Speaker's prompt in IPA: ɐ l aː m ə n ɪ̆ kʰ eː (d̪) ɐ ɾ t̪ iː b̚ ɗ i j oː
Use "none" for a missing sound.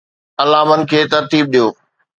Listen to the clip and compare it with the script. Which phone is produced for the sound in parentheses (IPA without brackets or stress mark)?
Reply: t̪